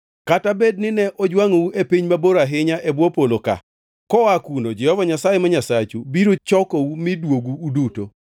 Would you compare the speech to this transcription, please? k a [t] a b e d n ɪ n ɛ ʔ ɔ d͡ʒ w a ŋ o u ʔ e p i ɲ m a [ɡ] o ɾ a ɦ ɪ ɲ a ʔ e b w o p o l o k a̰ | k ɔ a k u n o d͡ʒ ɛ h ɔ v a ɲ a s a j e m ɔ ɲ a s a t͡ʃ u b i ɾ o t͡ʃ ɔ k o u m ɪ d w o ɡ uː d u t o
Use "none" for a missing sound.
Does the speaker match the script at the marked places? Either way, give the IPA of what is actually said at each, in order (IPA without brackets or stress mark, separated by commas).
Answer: t, b